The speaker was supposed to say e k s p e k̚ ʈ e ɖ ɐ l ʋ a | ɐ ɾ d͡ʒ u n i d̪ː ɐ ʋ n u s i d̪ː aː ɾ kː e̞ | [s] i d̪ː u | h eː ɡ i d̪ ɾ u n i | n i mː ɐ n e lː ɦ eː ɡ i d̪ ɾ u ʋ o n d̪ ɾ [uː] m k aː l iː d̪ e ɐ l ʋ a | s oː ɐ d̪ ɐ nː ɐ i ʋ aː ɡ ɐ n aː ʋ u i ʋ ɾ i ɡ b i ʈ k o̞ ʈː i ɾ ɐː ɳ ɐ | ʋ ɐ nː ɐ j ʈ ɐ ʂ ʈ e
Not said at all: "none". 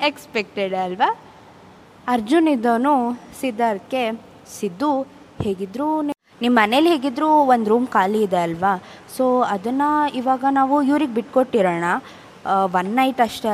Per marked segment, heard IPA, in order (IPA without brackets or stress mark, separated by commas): s, uː